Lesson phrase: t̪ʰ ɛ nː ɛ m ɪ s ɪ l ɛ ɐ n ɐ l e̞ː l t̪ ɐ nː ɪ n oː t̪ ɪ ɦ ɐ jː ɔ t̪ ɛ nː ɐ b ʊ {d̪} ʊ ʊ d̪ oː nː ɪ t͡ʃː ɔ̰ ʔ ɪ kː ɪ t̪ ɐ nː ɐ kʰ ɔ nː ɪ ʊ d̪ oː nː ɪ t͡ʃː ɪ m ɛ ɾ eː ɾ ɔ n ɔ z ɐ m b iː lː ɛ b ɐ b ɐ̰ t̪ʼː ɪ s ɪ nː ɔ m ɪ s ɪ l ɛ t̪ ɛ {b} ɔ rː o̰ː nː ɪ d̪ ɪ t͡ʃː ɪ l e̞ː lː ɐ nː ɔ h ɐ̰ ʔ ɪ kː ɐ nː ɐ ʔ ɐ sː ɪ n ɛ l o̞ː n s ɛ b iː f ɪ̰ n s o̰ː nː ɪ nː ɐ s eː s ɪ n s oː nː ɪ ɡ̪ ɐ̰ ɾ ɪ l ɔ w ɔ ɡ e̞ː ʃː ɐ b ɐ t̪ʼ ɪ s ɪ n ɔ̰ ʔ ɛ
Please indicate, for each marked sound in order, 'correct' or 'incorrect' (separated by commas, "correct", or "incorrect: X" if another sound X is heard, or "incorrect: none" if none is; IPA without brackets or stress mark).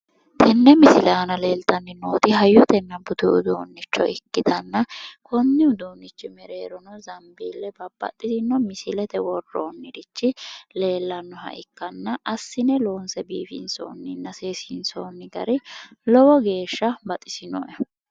incorrect: t̪, incorrect: w